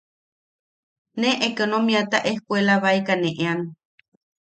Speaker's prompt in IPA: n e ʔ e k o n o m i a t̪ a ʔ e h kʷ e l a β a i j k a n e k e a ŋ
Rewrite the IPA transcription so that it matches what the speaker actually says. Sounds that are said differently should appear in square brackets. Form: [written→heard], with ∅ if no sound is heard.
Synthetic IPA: n e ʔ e k o n o m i a t̪ a ʔ e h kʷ e l a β a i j k a n e [k→ʔ] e a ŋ

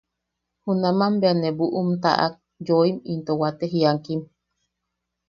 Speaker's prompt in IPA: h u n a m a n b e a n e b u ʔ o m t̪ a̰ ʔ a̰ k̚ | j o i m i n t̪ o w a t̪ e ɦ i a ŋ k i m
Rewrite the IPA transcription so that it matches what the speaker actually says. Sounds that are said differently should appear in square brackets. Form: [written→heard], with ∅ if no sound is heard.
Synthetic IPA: h u n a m a [n→m] b e a n e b u ʔ [o→u] m t̪ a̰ ʔ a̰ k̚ | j o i m i n t̪ o w a t̪ e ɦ i a ŋ k i m

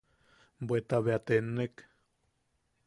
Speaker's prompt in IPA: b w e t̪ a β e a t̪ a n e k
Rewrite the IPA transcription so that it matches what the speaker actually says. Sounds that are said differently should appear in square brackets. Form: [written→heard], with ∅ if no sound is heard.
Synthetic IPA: b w e t̪ a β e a t̪ [a→e] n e k

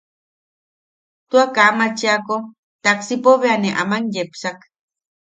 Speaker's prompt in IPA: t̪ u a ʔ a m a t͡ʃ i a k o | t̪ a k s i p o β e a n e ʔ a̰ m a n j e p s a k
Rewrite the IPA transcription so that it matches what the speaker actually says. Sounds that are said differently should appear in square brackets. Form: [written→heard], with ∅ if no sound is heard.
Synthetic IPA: t̪ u a [ʔ→k] a m a t͡ʃ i a k o | t̪ a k s i p o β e a n e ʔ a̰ m a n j e p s a k

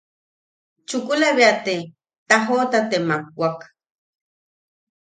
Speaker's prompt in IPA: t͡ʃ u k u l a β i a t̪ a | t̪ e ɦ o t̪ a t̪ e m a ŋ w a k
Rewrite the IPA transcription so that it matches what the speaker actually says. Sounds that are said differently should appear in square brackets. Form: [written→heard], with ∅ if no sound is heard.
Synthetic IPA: t͡ʃ u k u l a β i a t̪ [a→e] | t̪ [e→a] ɦ o t̪ a t̪ e m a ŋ w a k

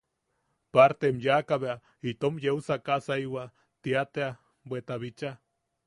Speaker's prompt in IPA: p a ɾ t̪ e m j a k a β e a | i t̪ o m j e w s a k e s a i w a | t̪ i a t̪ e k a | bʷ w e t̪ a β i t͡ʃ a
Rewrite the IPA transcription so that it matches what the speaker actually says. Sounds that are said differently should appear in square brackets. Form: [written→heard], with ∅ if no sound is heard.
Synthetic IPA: p a ɾ t̪ e m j a k a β e a | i t̪ o m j e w s a k [e→a] s a i w a | t̪ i a t̪ e [k→∅] a | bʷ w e t̪ a β i t͡ʃ a

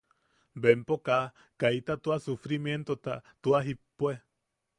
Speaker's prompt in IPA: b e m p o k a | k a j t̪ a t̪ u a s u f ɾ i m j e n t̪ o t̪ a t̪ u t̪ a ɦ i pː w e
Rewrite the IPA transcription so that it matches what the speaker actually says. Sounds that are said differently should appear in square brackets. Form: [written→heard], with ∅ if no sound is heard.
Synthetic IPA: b e m p o k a | k a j t̪ a t̪ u a s u f ɾ i m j e n t̪ o t̪ a t̪ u [t̪→∅] a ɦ i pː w e

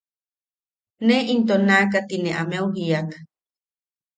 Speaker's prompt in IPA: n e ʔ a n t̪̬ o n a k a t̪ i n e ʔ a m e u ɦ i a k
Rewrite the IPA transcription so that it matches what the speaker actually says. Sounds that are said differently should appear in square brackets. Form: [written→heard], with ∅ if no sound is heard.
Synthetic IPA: n e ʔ [a→i] n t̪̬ o n a k a t̪ i n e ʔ a m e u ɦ i a k

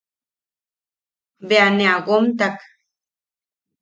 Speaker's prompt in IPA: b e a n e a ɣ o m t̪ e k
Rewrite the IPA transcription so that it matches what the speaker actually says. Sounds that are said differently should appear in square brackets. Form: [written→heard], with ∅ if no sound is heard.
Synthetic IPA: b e a n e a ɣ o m t̪ [e→a] k

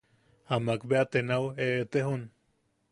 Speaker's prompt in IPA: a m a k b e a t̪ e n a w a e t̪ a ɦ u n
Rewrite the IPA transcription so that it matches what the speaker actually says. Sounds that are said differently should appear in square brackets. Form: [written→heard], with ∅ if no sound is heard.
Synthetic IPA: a m a k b e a t̪ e n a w [a→e] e t̪ [a→e] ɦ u n

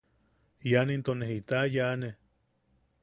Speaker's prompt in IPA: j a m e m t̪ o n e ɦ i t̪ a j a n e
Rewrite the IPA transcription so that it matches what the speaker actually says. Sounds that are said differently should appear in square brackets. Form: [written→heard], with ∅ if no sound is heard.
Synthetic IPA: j a [m→n] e [m→n] t̪ o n e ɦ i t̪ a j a n e

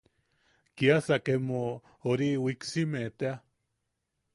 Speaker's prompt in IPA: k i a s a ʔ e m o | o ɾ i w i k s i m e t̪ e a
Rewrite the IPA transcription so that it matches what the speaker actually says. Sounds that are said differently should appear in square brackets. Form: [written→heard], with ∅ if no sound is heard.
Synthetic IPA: k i a s a [ʔ→k] e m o | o ɾ i w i k s i m e t̪ e a

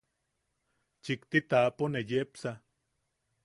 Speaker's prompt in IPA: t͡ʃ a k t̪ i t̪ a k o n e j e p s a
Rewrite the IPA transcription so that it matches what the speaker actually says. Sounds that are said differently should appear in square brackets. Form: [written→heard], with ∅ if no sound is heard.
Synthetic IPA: t͡ʃ [a→i] k t̪ i t̪ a [k→p] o n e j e p s a

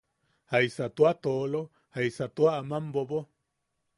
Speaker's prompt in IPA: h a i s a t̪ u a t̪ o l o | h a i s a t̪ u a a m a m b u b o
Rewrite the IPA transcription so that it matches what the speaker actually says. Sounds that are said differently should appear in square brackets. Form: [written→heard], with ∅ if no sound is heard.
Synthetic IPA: h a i s a t̪ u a t̪ o l o | h a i s a t̪ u a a m a m b [u→o] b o

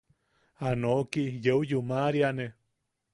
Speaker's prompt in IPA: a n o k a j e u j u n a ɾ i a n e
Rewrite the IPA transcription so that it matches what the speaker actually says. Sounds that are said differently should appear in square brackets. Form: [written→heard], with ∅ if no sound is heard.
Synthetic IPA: a n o k [a→i] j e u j u [n→m] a ɾ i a n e

